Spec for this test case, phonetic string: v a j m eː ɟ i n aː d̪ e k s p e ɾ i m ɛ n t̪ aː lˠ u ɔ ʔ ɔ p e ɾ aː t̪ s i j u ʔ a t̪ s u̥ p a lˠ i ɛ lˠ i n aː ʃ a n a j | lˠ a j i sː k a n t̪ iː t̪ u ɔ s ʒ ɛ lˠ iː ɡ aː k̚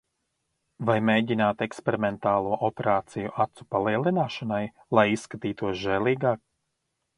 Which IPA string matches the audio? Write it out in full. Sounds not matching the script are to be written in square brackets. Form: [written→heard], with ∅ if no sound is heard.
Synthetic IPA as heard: v a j m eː ɟ i n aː [d̪→t̪] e k s p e ɾ i m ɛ n t̪ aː lˠ u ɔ ʔ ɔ p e ɾ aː t̪ s i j u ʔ a t̪ s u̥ p a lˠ i ɛ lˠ i n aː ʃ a n a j | lˠ a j i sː k a [n→∅] t̪ iː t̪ u ɔ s ʒ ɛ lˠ iː ɡ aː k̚